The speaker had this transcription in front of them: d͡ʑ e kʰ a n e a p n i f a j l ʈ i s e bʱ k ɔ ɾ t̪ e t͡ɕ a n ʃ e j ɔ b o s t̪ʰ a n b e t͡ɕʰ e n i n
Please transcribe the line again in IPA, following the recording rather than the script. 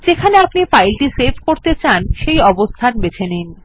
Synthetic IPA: d͡ʑ e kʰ a n e a p n i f a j l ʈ i s e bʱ k o ɾ t̪ e t͡ɕ a n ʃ e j ɔ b o s t̪ʰ a n b e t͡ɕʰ e n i n

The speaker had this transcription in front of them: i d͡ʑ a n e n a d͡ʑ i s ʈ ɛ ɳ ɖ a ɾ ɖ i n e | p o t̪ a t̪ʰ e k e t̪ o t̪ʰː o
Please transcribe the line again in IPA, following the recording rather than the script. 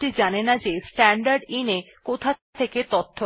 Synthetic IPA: i d͡ʑ a n e n a d͡ʑ e s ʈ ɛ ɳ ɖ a ɾ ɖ i n e | k o t̪ʰ a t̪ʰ e k e t̪ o t̪ʰː o

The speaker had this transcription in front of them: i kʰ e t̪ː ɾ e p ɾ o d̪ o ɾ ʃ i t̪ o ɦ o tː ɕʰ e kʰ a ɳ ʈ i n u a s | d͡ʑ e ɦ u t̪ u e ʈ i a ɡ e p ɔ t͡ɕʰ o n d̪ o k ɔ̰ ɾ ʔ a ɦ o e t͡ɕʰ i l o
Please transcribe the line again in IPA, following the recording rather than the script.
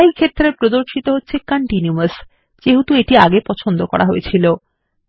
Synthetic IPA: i kʰ e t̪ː ɾ e p ɾ o d̪ o ɾ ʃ i t̪ o ɦ o tː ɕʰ e k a ɳ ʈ i n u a s | d͡ʑ e ɦ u t̪ u e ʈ i a ɡ e p ɔ t͡ɕʰ o n d̪ o k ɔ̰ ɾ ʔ a ɦ o e t͡ɕʰ i l o

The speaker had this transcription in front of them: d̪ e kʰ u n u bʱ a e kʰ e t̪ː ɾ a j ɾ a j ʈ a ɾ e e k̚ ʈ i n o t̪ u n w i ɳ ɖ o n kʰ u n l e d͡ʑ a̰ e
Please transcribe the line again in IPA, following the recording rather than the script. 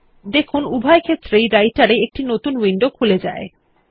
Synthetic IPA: d̪ e kʰ u n u bʱ a e kʰ e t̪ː ɾ e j ɾ a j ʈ a ɾ e e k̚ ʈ i n o t̪ u n w i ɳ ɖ o kʰ u l e d͡ʑ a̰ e

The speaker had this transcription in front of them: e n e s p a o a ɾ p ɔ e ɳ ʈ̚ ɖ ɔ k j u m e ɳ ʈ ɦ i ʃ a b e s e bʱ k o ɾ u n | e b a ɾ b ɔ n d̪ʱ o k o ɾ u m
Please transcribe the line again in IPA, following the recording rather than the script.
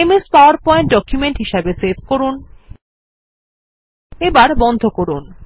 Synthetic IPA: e m e s p a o a ɾ p ɔ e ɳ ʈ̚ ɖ ɔ k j u m e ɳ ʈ ɦ i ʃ a b e s e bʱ k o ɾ u n | e b a ɾ b ɔ n d̪ʱ o k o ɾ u n

